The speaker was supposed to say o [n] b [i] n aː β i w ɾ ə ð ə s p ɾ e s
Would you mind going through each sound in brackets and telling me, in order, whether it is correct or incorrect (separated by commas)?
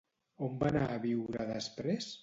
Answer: incorrect, incorrect